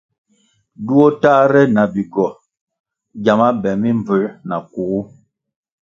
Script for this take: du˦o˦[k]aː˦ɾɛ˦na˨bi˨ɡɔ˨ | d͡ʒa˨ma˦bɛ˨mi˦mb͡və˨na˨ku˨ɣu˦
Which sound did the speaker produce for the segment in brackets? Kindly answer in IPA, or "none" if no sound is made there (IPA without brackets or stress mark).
t